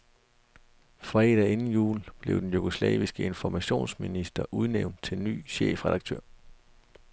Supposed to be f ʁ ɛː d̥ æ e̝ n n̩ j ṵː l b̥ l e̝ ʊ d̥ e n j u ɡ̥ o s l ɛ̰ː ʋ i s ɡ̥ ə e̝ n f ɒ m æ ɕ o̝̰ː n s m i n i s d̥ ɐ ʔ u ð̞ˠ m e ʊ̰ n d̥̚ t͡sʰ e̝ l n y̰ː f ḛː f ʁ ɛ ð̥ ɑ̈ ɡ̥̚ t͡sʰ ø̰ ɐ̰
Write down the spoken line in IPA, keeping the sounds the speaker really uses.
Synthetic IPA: f ʁ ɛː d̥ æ e̝ n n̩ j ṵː l b̥ l e̝ ʊ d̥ e n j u ɡ̥ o s l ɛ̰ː ʋ i s ɡ̥ ə e̝ n f ɒ m æ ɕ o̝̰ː n s m i n i s d̥ ɐ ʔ u ð̞ˠ n e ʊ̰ n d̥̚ t͡sʰ e̝ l n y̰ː ɕ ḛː f ʁ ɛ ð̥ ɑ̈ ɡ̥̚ t͡sʰ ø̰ ɐ̰